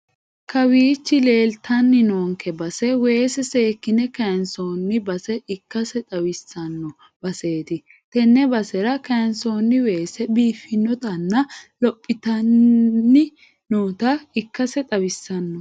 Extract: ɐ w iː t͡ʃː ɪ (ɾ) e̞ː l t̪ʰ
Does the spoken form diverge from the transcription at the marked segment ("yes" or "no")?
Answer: yes